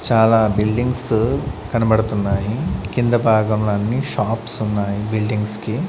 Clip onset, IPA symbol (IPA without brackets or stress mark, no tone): t͡ʃ